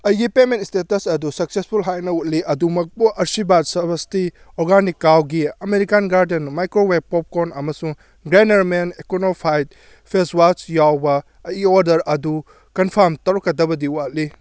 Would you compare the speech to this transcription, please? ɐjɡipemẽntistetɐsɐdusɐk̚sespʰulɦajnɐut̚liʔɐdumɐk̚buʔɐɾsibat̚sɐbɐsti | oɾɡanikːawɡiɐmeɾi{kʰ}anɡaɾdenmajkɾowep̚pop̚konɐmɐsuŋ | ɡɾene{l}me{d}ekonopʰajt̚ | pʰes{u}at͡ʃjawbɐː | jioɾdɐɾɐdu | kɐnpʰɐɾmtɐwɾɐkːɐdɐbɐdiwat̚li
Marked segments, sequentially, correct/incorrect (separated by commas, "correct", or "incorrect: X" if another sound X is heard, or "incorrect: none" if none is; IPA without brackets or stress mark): incorrect: k, incorrect: ɾ, incorrect: n, incorrect: w